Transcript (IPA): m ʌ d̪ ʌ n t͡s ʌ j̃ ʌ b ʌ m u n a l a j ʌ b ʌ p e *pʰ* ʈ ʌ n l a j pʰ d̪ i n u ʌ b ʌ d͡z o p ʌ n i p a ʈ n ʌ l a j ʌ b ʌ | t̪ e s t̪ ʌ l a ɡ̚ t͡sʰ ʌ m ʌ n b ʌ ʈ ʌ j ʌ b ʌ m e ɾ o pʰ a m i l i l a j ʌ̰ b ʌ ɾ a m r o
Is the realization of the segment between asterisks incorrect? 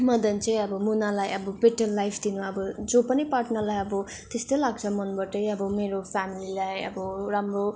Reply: yes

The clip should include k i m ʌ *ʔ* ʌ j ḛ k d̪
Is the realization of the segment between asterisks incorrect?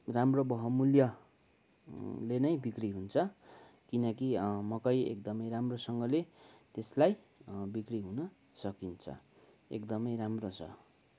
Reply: yes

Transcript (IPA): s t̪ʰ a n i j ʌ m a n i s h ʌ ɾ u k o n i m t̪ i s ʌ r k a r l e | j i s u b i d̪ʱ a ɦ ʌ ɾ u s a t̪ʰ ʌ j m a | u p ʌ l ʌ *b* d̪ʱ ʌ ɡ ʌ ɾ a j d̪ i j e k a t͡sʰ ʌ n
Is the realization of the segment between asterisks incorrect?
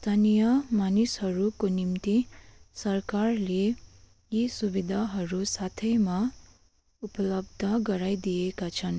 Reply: no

